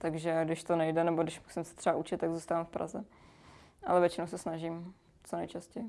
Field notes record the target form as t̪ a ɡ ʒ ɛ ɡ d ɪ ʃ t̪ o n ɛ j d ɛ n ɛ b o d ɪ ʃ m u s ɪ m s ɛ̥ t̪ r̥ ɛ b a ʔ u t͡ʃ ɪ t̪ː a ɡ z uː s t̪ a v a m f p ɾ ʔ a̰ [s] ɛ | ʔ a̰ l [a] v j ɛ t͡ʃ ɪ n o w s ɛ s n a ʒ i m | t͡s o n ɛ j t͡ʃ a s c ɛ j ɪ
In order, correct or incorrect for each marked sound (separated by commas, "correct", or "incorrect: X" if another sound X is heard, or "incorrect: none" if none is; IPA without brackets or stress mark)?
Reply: incorrect: z, incorrect: ɛ